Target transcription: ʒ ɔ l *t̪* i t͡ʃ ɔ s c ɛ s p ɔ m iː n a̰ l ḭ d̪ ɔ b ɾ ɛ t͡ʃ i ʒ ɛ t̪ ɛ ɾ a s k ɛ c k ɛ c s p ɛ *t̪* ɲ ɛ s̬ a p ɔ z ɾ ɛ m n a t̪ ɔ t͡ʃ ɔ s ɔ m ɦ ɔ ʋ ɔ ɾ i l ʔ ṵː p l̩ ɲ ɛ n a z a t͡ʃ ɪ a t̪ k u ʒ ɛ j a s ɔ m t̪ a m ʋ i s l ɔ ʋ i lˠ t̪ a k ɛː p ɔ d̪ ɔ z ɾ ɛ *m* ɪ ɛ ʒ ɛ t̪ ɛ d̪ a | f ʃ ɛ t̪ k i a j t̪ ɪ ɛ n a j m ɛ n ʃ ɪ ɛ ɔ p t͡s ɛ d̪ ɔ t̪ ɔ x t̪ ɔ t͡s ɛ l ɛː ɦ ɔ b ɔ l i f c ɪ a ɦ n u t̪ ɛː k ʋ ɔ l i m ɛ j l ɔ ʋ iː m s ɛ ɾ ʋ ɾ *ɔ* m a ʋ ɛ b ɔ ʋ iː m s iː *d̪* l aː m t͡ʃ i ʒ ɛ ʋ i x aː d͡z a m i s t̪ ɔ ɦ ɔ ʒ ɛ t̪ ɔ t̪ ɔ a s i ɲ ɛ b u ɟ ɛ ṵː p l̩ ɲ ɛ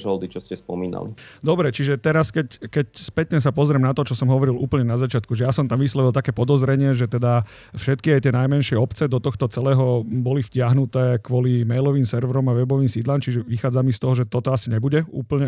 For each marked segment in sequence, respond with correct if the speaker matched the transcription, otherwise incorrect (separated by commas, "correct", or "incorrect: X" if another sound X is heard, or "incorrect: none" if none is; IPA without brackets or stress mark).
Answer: incorrect: d̪, correct, incorrect: ɲ, correct, correct